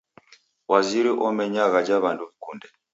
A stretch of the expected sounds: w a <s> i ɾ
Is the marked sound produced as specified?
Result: no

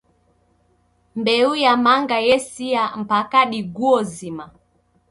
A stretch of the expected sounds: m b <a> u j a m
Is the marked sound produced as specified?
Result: no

